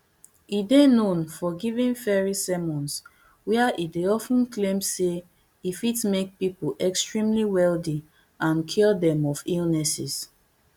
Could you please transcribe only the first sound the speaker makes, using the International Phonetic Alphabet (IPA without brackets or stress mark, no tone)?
i